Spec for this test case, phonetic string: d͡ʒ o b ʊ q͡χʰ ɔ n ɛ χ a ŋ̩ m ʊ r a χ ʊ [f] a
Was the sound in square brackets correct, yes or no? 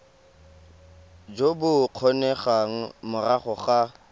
no